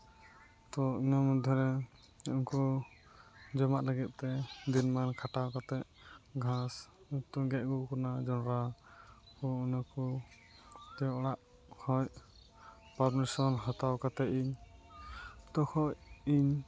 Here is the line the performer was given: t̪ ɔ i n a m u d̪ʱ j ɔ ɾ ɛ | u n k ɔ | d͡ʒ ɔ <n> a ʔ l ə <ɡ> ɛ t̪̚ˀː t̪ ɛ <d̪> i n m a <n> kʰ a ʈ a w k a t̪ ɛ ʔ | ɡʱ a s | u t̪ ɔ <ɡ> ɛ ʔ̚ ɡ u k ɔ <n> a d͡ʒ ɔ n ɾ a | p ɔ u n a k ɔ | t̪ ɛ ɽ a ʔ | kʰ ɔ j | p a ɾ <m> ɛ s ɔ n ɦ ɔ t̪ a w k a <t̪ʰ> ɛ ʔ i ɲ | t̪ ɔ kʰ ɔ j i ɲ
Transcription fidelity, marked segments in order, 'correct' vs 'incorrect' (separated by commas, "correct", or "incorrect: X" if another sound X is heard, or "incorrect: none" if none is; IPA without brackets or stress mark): incorrect: m, correct, correct, correct, correct, correct, correct, incorrect: t̪